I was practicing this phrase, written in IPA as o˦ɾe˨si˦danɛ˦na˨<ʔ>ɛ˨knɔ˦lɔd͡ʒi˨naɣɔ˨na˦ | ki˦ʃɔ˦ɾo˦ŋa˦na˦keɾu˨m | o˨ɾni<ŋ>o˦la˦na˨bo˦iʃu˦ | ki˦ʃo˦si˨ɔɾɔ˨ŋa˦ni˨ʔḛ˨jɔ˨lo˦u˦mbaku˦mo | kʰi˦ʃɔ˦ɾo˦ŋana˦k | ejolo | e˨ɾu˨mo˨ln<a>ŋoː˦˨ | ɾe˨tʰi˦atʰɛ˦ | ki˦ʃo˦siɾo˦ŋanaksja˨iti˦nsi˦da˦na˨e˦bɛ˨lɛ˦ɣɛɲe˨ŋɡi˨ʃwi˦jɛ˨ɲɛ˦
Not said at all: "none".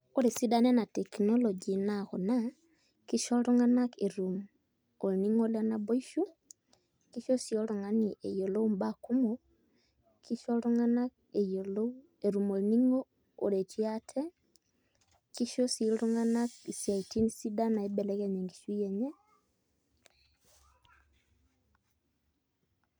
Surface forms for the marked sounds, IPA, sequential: t, ŋ, i

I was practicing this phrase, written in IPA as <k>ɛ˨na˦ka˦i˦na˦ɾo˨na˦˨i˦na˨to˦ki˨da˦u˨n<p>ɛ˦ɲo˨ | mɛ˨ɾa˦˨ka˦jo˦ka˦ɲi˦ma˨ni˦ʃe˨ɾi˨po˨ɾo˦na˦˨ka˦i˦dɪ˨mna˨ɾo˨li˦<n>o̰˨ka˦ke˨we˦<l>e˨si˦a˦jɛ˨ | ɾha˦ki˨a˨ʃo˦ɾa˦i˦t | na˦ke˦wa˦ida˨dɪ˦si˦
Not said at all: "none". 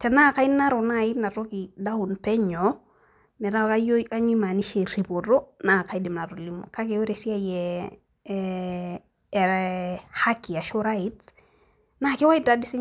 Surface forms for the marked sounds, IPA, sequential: t, p, m, ɾ

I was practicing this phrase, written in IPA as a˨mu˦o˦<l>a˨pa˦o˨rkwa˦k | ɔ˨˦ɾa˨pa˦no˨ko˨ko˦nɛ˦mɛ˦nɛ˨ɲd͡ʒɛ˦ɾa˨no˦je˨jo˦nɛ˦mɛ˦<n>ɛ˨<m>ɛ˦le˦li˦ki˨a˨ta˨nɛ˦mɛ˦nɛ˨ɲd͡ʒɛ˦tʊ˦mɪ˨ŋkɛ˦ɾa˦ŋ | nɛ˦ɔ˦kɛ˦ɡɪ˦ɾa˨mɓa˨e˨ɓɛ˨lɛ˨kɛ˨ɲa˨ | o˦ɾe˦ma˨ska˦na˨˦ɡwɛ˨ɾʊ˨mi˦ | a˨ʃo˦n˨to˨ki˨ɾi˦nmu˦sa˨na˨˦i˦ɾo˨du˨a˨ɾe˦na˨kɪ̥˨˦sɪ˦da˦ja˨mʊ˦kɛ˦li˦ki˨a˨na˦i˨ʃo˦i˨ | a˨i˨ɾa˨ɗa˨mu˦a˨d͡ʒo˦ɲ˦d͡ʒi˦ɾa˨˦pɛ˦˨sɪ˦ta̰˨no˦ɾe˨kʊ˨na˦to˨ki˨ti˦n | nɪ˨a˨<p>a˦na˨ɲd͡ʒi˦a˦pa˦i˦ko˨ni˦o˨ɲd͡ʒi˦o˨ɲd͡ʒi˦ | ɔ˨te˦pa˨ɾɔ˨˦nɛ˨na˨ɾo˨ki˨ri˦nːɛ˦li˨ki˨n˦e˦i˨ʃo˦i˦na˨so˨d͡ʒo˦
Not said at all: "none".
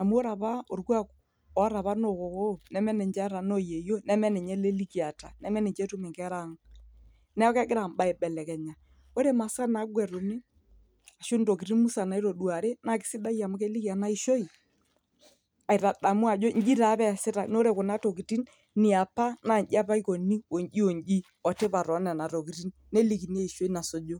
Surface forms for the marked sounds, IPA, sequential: ɾ, n, ɲ, p

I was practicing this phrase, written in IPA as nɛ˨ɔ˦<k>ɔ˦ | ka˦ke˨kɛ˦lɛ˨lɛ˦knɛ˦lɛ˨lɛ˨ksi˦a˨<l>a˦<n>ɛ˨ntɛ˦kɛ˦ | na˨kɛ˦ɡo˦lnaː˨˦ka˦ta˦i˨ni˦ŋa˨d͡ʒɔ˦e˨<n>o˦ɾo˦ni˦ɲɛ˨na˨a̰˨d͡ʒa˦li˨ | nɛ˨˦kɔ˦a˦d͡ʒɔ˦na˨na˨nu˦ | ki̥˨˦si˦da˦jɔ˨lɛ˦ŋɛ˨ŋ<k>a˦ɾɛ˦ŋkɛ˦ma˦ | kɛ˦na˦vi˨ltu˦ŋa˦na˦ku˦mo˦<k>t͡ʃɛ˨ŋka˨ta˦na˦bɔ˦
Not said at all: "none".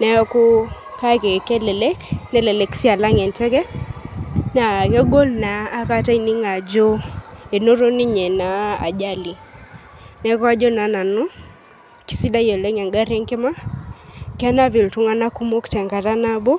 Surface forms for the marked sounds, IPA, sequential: k, l, ŋ, n, ɡ, k

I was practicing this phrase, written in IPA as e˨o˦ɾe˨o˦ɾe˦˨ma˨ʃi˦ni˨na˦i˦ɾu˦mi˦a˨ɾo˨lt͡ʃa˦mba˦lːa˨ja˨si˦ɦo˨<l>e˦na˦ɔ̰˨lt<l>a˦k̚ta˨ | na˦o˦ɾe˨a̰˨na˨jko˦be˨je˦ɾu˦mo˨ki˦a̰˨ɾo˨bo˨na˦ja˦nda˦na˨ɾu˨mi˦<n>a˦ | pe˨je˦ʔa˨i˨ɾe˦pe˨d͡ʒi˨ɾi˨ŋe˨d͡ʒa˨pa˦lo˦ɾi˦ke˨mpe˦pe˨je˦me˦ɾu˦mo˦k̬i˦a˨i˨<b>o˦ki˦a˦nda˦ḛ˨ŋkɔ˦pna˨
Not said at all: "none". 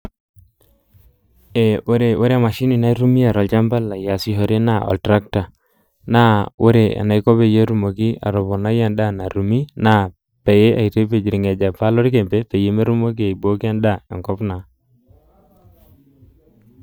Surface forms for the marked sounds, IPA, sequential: ɾ, ɾ, n, b

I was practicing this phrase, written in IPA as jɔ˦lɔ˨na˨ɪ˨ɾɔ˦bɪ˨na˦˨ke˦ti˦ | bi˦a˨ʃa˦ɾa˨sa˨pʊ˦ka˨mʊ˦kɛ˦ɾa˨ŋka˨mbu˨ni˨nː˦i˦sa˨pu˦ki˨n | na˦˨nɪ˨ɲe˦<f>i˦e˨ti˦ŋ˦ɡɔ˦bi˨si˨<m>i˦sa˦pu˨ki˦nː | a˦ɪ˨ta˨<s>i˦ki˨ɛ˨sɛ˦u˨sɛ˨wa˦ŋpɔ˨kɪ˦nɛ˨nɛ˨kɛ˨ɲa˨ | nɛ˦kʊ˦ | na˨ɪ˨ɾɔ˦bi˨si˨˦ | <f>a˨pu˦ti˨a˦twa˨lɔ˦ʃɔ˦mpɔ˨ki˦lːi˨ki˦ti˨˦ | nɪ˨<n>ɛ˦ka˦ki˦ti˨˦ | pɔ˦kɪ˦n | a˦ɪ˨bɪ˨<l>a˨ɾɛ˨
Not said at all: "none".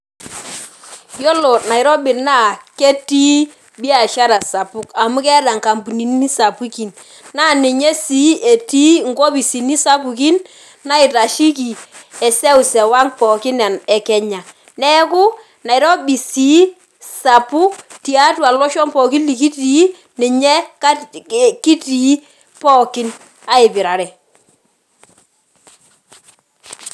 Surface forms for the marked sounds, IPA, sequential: s, n, ʃ, s, ɲ, ɾ

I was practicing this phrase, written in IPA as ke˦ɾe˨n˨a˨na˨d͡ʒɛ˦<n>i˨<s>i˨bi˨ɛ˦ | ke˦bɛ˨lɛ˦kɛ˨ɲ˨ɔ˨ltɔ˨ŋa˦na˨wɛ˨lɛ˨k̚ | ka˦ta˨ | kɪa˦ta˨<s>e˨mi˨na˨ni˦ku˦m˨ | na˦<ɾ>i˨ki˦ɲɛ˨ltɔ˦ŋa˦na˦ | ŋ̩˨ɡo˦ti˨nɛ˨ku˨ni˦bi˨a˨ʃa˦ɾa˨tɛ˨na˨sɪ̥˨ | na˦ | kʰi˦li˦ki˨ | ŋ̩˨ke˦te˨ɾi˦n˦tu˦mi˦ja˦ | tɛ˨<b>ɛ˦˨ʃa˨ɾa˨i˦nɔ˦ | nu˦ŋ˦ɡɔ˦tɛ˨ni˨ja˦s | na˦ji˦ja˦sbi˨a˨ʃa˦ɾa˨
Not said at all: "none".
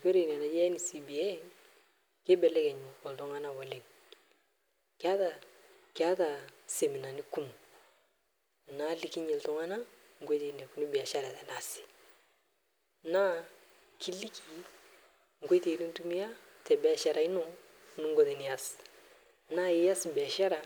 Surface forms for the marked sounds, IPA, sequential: n, s, s, l, b

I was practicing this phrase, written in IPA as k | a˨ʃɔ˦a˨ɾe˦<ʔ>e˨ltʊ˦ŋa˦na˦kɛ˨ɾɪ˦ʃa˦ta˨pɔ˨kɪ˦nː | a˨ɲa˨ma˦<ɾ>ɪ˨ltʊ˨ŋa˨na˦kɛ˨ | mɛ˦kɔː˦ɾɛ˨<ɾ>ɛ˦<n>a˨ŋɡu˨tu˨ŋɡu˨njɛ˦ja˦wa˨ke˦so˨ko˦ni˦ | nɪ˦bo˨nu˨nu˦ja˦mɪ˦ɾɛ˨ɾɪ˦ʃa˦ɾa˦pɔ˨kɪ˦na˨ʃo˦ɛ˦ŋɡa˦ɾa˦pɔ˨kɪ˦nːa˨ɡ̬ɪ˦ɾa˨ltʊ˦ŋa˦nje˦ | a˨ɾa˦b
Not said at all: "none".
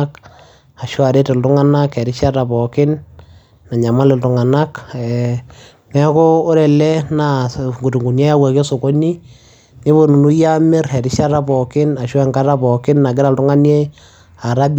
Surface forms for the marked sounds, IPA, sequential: t, l, l, n

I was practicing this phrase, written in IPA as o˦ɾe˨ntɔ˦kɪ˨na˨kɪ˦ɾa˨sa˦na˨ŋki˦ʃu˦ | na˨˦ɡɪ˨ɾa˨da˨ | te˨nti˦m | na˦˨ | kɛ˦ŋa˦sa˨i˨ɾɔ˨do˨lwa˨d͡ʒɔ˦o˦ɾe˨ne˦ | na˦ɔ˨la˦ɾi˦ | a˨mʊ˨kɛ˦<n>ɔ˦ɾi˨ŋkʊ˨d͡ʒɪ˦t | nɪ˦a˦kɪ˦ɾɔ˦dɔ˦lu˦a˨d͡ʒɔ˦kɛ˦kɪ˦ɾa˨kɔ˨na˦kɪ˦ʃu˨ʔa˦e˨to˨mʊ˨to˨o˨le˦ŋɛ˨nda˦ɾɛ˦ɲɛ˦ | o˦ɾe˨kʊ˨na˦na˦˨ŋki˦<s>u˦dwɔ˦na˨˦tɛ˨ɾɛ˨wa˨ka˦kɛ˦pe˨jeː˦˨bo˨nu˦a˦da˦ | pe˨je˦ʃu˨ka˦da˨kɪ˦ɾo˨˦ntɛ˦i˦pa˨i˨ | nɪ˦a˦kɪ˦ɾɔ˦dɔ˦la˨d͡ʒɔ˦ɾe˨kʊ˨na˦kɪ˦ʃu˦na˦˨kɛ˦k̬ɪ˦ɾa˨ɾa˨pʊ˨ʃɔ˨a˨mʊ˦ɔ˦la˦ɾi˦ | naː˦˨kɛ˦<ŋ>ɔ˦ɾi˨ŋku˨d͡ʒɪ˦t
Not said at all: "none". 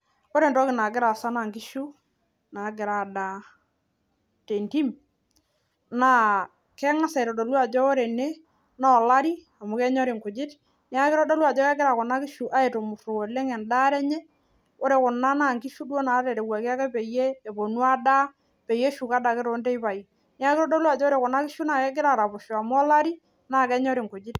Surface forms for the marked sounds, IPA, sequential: ɲ, ʃ, ɲ

